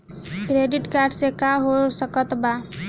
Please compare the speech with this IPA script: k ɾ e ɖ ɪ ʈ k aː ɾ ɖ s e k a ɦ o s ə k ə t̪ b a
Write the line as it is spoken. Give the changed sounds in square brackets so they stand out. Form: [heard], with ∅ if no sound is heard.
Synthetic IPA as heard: k ɾ e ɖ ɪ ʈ k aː ɾ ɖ s e k a ɦ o s ə k ə t̪ b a